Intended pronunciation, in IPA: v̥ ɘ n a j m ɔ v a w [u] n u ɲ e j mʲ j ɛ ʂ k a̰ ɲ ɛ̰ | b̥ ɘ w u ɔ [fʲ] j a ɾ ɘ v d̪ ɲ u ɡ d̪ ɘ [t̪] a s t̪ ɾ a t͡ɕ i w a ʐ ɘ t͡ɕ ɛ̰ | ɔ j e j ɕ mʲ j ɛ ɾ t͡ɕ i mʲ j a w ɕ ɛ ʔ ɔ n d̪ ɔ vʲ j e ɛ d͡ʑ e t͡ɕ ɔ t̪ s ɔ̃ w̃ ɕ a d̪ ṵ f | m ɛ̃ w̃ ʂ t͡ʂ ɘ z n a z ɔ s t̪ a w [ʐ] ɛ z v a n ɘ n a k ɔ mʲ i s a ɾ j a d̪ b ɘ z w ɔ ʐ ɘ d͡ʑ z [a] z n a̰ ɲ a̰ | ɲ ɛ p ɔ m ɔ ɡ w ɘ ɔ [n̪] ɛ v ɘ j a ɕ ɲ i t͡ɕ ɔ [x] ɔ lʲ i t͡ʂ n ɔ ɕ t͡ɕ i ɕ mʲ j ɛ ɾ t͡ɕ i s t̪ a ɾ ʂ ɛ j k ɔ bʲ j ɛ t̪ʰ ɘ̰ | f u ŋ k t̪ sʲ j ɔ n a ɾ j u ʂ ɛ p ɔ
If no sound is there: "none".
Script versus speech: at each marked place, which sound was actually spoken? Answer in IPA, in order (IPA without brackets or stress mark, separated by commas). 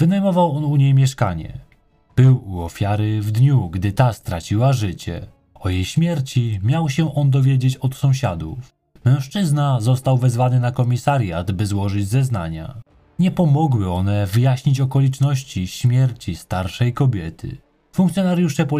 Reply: ɔ, fʲ, t̪, v, ɛ, n̪, k